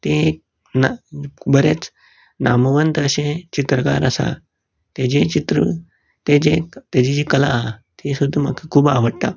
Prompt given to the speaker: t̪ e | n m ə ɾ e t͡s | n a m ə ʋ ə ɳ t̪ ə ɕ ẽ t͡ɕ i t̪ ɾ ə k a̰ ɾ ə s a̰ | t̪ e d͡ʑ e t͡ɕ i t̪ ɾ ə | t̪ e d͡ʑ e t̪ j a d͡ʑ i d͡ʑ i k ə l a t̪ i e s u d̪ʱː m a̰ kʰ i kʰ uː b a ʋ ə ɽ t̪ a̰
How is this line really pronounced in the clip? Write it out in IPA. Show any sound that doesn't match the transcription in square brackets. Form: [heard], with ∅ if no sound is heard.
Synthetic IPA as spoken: t̪ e | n [b] ə ɾ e t͡s | n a m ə ʋ ə [n] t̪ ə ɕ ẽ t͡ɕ i t̪ ɾ ə k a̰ ɾ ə s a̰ | t̪ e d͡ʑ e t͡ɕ i t̪ ɾ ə | t̪ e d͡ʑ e t̪ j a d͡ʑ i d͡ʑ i k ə l a t̪ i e s u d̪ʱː m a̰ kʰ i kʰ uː b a ʋ ə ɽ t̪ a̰

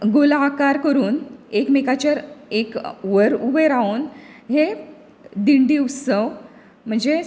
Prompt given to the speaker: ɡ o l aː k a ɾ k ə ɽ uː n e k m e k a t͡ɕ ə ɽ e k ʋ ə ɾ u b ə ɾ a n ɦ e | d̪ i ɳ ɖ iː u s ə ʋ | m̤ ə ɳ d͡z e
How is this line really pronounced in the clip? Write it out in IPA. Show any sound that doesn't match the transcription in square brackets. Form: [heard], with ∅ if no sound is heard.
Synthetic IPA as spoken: ɡ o l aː k a ɾ k ə [ɾ] uː n e k m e k a t͡ɕ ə [ɾ] e k ʋ ə ɾ u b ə ɾ a n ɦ e | d̪ i ɳ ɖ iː u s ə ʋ | m̤ ə ɳ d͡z e

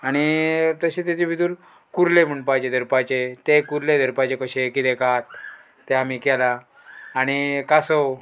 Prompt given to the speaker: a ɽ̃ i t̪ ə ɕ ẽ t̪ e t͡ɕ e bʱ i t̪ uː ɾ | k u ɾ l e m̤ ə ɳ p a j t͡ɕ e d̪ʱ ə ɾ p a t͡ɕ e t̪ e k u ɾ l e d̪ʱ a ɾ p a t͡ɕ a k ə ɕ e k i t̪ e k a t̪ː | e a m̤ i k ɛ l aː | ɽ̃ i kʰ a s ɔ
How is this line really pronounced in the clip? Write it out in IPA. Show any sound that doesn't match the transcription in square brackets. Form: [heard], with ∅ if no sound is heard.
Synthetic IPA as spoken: a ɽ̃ i t̪ ə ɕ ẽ t̪ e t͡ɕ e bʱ i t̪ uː ɾ | k u ɾ l e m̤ ə ɳ p a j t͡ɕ e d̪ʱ ə ɾ p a t͡ɕ e t̪ e k u ɾ l e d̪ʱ [ə] ɾ p a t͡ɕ [e] k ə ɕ e k i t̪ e k a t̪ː | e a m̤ i k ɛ l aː | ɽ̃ i [k] a s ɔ

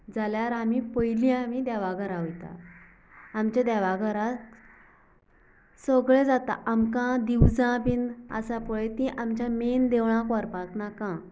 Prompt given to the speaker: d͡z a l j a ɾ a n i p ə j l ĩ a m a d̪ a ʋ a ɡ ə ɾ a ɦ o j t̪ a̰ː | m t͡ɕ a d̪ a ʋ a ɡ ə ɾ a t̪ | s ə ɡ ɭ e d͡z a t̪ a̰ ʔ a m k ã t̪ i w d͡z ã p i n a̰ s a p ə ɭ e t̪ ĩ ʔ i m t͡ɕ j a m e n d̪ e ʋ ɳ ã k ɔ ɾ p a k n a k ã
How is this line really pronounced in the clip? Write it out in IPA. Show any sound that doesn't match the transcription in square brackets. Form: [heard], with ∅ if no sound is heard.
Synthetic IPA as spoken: d͡z a l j a ɾ a [m] i p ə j l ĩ a m [i] d̪ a ʋ a ɡ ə ɾ a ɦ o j t̪ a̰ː | m t͡ɕ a d̪ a ʋ a ɡ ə ɾ a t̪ | s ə ɡ ɭ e d͡z a t̪ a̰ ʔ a m k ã [d̪] i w d͡z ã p i n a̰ s a p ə ɭ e t̪ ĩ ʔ [a] m t͡ɕ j a m e n d̪ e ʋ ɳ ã k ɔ ɾ p a k n a k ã

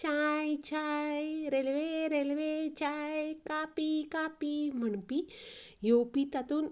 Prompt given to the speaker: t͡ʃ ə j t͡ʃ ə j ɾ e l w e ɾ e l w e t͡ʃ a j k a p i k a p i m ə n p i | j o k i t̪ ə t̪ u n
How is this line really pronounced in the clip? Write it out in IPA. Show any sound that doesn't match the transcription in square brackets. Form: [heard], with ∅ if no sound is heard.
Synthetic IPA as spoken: t͡ʃ [a] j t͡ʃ [a] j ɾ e l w e ɾ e l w e t͡ʃ a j k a p i k a p i m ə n p i | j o [p] i t̪ [a] t̪ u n

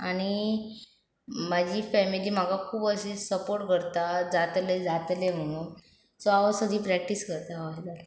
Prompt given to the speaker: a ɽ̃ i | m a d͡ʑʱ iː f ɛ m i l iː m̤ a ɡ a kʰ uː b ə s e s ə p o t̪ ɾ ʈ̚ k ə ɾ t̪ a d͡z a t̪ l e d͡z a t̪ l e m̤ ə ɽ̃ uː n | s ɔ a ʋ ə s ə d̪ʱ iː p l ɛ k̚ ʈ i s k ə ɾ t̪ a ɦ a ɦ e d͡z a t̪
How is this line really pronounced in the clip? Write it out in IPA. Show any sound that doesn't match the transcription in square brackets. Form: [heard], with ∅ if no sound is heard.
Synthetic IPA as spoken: a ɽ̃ i | m a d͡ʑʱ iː f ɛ m i l iː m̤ a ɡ a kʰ uː b ə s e s ə p o [∅] ɾ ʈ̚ k ə ɾ t̪ a d͡z a t̪ l e d͡z a t̪ l e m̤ ə ɽ̃ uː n | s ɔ a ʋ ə s ə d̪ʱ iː p [ɾ] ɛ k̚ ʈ i s k ə ɾ t̪ a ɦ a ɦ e d͡z a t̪

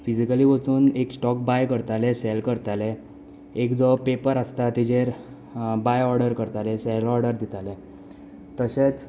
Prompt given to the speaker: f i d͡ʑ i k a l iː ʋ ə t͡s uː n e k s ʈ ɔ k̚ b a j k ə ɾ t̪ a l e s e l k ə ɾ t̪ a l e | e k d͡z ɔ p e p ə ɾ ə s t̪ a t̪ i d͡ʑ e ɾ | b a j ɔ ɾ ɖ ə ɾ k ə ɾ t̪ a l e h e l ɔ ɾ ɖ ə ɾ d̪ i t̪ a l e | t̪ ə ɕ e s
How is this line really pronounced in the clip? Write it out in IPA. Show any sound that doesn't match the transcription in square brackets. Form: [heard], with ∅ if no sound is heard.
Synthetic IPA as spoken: f i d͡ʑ i k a l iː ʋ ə t͡s uː n e k s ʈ ɔ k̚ b a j k ə ɾ t̪ a l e s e l k ə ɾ t̪ a l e | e k d͡z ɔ p e p ə ɾ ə s t̪ a t̪ i d͡ʑ e ɾ | b a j ɔ ɾ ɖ ə ɾ k ə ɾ t̪ a l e [s] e l ɔ ɾ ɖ ə ɾ d̪ i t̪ a l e | t̪ ə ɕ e [t͡s]

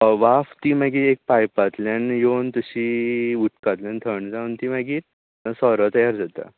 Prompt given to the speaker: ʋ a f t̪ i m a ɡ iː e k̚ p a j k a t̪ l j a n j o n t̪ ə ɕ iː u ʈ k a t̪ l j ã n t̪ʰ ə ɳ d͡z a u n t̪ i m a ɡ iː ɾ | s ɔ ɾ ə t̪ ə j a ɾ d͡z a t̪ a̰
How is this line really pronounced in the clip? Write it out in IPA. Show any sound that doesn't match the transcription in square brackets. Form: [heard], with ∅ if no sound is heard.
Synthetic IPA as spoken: ʋ a f t̪ i m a ɡ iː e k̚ p a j [p] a t̪ l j a n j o n t̪ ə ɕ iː u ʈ k a t̪ l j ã n t̪ʰ ə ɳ d͡z a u n t̪ i m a ɡ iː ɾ | s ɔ ɾ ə t̪ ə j a ɾ d͡z a t̪ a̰

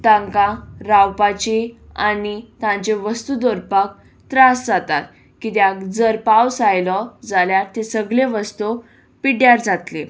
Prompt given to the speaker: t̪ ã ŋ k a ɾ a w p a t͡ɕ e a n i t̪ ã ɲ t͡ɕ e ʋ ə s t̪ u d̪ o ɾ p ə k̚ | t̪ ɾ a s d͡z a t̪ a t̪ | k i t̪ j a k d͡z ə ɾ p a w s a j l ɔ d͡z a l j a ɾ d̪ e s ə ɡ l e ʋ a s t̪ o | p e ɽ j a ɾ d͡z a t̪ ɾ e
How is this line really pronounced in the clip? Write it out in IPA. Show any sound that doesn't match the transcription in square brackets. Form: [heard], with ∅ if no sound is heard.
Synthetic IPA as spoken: t̪ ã ŋ k a ɾ a w p a t͡ɕ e a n i t̪ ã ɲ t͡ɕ e ʋ ə s t̪ u d̪ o ɾ p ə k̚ | t̪ ɾ a s d͡z a t̪ a t̪ | k i t̪ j a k d͡z ə ɾ p a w s a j l ɔ d͡z a l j a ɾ [t̪] e s ə ɡ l e ʋ [ə] s t̪ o | p [i] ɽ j a ɾ d͡z a t̪ [l] e

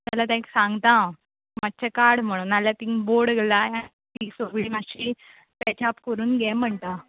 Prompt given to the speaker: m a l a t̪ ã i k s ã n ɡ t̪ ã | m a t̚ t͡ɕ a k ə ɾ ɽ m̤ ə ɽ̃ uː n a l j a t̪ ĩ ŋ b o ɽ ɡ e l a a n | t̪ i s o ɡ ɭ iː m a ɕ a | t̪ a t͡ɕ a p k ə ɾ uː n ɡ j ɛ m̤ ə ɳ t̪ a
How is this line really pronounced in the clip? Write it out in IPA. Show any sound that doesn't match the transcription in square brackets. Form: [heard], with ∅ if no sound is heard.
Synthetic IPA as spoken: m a l a t̪ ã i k s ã [ŋ] ɡ t̪ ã | m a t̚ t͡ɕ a k [a] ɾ ɽ m̤ ə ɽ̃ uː n a l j a t̪ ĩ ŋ b o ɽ ɡ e l a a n | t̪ i s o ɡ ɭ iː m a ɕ [i] | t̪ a t͡ɕ a p k ə ɾ uː n ɡ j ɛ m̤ ə ɳ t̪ a

